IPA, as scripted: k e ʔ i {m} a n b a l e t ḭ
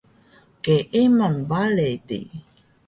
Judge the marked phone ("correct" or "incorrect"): correct